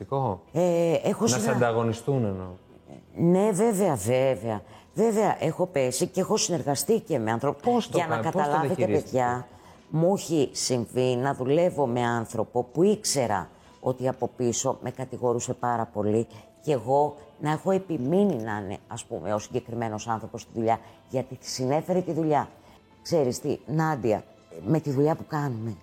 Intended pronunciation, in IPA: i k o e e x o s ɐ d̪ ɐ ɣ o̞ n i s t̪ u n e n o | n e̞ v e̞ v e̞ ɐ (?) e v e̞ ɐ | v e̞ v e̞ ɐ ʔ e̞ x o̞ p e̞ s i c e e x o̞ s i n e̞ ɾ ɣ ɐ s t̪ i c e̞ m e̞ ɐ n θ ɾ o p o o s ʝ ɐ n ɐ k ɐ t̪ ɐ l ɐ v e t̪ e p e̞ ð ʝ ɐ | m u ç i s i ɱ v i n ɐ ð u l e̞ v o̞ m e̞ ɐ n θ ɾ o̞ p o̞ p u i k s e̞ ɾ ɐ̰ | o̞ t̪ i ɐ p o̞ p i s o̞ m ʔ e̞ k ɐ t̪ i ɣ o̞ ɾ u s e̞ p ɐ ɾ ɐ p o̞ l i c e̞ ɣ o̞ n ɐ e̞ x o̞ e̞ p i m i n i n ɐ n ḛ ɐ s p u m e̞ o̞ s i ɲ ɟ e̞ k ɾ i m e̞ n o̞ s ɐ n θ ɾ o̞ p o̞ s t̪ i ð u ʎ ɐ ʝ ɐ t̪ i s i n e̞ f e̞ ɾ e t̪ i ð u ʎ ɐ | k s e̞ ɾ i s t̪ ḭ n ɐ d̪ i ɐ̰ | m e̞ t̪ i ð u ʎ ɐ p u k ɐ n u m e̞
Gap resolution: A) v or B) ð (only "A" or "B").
A